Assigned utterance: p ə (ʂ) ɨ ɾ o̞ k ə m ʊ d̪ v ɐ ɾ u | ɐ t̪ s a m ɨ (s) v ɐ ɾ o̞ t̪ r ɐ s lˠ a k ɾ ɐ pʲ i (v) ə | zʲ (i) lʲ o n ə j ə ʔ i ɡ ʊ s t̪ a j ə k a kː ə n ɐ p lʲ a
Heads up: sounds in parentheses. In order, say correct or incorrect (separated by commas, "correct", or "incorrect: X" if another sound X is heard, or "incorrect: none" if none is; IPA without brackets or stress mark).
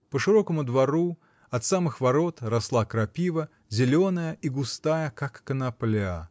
correct, incorrect: x, correct, incorrect: ɪ